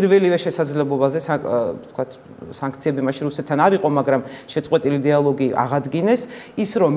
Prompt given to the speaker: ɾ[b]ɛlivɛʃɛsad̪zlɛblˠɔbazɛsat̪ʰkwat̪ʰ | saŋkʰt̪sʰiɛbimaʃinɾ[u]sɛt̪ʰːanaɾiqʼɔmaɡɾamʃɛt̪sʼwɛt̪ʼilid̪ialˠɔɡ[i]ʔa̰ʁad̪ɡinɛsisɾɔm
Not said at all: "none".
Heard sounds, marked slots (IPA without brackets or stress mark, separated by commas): v, u, i